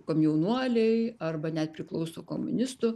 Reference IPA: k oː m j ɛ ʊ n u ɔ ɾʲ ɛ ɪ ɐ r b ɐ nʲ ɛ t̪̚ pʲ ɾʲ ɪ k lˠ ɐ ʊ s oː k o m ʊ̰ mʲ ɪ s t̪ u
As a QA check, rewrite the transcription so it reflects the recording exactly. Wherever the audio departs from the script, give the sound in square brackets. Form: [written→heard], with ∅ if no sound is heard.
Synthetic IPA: k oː m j ɛ ʊ n u ɔ [ɾʲ→lʲ] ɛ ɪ ɐ r b ɐ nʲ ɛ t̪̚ pʲ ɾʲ ɪ k lˠ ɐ ʊ s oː k o m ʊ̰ [mʲ→nʲ] ɪ s t̪ [u→ʊ]